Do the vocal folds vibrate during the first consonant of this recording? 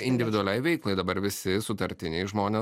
yes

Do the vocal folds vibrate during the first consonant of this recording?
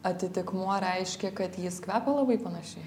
no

